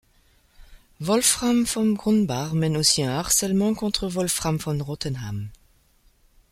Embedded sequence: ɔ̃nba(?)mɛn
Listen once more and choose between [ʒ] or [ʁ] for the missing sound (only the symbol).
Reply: ʁ